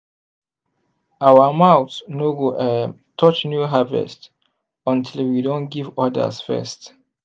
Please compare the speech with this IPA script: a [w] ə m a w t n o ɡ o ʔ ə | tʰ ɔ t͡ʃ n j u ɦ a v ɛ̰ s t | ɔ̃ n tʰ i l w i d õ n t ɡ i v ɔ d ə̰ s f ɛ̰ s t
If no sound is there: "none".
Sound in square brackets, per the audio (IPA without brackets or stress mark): w